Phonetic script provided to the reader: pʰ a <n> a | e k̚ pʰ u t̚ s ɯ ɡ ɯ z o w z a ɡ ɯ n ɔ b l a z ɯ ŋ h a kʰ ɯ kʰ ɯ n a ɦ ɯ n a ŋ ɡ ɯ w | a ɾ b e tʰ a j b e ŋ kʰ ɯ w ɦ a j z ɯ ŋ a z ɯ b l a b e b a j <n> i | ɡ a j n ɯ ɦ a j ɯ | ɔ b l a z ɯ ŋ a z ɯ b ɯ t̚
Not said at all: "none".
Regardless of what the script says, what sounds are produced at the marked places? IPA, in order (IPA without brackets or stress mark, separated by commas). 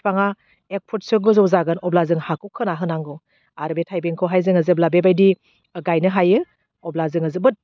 ŋ, d